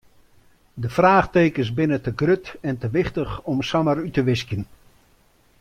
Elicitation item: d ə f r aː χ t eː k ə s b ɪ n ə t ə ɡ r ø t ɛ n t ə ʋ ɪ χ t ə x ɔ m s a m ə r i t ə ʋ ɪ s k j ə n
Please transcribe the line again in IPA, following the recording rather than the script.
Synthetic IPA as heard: d ə f r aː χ t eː k ə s b ɪ n ə t ə ɡ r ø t ɛ n t ə ʋ ɪ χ t ə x ɔ m s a m ə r y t ə ʋ ɪ s k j ə n